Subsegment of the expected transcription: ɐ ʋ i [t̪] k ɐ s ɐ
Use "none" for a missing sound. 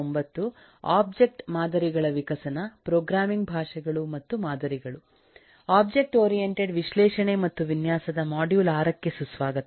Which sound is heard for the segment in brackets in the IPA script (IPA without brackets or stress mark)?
none